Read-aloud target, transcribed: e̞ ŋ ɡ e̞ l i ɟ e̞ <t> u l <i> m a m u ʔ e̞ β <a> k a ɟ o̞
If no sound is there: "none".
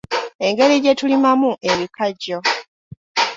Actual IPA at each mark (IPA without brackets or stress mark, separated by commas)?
t, i, i